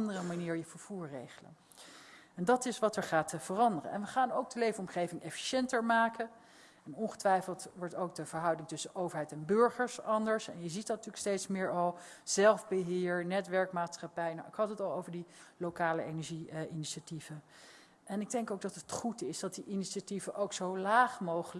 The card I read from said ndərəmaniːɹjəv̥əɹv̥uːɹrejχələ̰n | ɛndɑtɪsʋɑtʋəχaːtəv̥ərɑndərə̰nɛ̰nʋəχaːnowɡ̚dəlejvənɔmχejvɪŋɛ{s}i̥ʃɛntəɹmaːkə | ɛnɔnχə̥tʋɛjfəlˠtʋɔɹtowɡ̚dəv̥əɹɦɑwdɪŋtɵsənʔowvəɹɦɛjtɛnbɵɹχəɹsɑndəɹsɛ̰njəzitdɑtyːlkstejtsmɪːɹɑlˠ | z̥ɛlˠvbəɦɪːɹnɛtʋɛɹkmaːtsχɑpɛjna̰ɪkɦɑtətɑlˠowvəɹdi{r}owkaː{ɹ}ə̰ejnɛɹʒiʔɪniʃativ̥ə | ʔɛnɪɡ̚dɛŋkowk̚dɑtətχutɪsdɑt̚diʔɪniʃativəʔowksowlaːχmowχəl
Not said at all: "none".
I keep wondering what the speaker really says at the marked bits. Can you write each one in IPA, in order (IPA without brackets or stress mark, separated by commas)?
f, l, l